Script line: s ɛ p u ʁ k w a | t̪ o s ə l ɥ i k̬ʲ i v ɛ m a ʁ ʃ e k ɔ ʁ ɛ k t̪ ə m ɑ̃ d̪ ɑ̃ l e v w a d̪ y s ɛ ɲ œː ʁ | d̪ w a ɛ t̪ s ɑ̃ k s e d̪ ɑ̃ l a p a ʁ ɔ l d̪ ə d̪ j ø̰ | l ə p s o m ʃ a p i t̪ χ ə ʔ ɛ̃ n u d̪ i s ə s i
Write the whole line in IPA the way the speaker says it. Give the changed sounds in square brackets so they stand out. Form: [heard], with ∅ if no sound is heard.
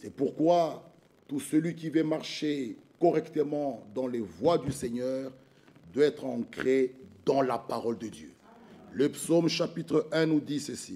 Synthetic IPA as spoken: s ɛ p u ʁ k w a | t̪ [u] s ə l ɥ i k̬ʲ i v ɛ m a ʁ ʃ e k ɔ ʁ ɛ k t̪ ə m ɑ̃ d̪ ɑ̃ l e v w a d̪ y s ɛ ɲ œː ʁ | d̪ w a ɛ t̪ [χ] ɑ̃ k [χ] e d̪ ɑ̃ l a p a ʁ ɔ l d̪ ə d̪ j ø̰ | l ə p s o m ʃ a p i t̪ χ ə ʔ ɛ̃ n u d̪ i s ə s i